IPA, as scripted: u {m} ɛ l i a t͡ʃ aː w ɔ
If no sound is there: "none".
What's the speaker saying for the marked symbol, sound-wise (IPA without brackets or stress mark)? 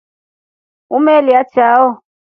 m